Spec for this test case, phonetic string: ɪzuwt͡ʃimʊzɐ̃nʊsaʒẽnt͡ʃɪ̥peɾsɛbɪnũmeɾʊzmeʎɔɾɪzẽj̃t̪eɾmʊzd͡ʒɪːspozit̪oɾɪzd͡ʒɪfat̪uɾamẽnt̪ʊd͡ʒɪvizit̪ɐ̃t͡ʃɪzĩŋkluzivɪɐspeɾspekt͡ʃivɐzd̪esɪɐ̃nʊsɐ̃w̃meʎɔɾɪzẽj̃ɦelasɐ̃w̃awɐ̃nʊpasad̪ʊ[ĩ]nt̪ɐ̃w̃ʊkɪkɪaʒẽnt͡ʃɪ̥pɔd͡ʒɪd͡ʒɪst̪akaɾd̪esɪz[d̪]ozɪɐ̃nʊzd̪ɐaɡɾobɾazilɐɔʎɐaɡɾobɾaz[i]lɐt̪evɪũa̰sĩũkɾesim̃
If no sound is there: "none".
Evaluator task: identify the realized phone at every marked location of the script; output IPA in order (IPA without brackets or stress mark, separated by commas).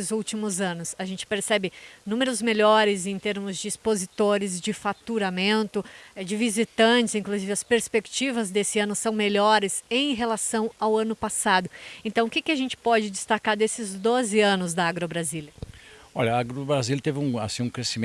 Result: ẽ, d̪, i